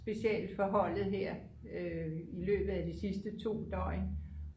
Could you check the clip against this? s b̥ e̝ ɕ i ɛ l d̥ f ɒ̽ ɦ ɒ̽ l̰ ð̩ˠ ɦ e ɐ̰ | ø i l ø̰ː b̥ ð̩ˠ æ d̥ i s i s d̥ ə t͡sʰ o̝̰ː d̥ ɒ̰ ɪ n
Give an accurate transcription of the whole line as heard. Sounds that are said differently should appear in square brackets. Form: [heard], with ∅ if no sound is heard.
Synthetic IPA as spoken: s b̥ e̝ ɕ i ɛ l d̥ f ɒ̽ ɦ ɒ̽ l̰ ð̩ˠ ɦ e ɐ̰ | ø i l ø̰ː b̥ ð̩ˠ æ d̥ i s i s d̥ ə t͡sʰ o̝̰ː d̥ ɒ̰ ɪ n